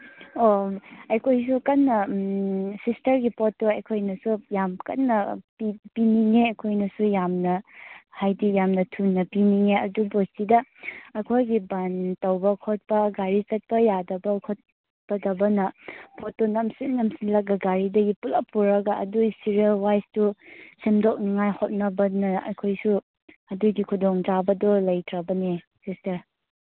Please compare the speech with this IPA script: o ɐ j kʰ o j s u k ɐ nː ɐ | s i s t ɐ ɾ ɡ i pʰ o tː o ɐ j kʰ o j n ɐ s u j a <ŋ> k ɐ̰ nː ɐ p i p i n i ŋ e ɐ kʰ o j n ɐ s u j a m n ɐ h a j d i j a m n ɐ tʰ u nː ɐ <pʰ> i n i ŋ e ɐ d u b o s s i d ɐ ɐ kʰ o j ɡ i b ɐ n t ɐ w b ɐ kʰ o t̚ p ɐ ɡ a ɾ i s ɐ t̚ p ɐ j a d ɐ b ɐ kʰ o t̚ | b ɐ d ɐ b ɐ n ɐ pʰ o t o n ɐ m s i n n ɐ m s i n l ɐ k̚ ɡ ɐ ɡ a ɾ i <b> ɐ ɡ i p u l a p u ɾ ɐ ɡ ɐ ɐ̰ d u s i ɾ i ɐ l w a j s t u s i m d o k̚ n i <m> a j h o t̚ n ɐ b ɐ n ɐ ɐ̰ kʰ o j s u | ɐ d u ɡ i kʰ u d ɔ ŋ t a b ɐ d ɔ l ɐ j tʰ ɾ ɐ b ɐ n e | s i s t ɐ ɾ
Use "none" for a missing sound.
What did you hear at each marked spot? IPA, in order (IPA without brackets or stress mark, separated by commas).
m, p, d, ŋ